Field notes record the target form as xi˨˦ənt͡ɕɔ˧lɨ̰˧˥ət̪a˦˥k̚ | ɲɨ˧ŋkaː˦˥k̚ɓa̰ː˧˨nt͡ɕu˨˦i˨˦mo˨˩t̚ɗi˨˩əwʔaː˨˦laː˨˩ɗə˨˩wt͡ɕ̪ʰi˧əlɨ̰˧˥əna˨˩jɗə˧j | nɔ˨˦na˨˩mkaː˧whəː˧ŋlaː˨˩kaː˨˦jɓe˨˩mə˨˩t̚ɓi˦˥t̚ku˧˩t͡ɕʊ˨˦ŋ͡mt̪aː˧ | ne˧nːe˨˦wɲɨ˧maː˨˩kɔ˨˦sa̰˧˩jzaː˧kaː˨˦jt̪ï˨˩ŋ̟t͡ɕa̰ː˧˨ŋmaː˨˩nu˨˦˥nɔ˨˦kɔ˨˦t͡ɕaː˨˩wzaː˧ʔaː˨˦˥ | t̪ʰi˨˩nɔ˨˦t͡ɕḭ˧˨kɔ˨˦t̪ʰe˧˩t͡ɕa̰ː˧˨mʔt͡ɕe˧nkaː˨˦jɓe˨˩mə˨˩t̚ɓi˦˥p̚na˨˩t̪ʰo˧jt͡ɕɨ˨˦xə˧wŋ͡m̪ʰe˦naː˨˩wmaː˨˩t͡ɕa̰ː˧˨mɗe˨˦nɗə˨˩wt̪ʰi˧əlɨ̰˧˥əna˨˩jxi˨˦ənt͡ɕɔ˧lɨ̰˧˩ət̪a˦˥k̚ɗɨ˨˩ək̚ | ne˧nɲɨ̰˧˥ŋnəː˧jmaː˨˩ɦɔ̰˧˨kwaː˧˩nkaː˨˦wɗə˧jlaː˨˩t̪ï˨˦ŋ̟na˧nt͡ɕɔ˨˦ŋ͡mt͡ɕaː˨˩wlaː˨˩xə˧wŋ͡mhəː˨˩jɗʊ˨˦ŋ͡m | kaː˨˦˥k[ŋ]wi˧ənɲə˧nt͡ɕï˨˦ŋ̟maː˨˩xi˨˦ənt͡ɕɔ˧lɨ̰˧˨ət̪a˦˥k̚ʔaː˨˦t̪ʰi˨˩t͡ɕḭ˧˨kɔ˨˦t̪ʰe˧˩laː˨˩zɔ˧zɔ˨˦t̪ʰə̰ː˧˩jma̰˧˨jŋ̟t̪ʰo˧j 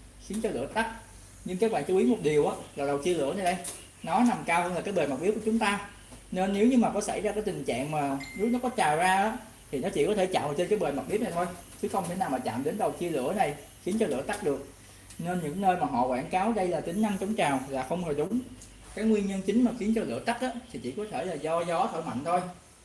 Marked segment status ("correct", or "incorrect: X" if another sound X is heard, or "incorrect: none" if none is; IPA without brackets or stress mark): correct